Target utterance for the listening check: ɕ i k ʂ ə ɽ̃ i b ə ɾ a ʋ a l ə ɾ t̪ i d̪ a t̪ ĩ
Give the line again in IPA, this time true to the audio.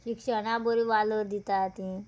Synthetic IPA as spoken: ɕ i k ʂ ə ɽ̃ a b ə ɾ i ʋ a l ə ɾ d̪ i t̪ a t̪ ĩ